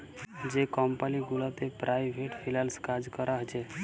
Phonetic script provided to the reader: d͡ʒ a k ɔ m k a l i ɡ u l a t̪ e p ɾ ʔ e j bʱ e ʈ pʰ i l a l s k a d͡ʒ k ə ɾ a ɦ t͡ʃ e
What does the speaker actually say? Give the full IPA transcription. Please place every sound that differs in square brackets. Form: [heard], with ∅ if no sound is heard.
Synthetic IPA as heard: d͡ʒ [e] k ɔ m [p] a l i ɡ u l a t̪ e p ɾ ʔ [a] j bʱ e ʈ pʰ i l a l s k a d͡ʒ k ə ɾ a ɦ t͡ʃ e